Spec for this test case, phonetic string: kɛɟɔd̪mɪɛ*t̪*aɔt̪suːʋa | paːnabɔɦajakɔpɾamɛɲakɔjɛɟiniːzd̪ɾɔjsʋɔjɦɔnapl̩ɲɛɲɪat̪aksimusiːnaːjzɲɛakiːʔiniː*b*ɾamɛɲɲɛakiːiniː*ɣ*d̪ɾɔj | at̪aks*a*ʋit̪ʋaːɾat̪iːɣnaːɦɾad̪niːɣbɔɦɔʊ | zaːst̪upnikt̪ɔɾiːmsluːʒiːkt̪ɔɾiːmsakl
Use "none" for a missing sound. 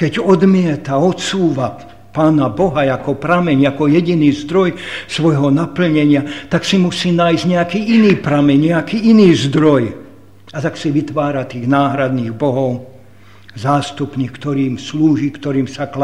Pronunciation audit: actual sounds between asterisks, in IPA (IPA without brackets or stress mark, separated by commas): t̪, p, z, i